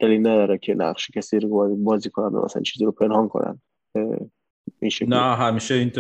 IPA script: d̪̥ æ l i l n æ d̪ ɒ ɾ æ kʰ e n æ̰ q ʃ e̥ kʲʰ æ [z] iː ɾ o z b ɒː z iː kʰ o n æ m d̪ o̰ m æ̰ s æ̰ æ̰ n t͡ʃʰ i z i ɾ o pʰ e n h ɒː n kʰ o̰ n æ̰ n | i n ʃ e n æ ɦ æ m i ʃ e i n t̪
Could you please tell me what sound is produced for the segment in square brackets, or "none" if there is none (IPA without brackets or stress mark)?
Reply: s